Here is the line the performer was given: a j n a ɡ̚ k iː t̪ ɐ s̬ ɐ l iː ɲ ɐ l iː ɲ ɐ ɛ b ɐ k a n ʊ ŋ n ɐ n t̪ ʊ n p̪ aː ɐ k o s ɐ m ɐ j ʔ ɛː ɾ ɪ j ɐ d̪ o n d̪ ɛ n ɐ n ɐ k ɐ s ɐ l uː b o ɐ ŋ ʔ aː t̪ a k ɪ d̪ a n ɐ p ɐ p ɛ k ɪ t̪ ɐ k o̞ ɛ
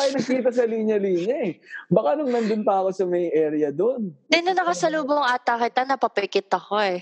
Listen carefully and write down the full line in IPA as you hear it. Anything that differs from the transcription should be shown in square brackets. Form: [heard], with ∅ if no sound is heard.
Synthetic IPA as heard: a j n [ɐ] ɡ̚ k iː t̪ ɐ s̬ ɐ l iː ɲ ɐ l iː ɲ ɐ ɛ b ɐ k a n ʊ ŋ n ɐ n [d̪] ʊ n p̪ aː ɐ k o s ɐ m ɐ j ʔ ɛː ɾ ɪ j ɐ d̪ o n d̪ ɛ n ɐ n ɐ k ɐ s ɐ l uː b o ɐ ŋ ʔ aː t̪ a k ɪ [t̪] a n ɐ p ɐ p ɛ k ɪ t̪ ɐ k o̞ ɛ